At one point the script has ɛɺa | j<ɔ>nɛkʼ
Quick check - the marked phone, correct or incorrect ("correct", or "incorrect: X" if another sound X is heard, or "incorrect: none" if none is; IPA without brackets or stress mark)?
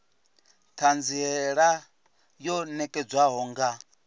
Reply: correct